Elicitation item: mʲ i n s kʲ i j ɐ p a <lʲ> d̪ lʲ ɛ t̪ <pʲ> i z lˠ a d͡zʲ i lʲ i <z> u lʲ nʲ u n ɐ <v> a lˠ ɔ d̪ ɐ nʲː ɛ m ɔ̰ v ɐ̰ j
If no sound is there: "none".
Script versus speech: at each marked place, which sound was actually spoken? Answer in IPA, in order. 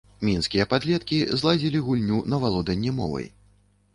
none, kʲ, ɣ, v

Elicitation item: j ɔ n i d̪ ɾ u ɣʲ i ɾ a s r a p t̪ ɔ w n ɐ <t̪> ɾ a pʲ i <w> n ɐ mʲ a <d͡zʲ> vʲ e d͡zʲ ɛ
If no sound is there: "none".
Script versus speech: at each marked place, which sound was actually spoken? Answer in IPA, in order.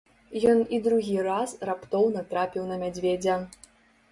t̪, w, d͡zʲ

